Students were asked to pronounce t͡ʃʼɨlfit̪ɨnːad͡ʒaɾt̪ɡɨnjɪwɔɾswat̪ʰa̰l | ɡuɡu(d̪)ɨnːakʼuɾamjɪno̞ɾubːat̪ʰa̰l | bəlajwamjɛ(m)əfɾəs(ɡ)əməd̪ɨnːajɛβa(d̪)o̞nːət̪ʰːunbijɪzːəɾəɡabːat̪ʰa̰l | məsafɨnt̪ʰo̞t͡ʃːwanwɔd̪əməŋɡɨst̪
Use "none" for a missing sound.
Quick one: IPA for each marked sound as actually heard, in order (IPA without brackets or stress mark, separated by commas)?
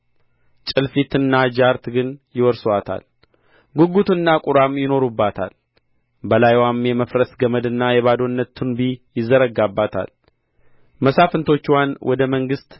t̪, m, ɡ, d̪